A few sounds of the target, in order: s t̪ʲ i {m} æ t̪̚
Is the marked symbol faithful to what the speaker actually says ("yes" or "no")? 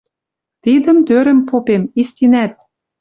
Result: no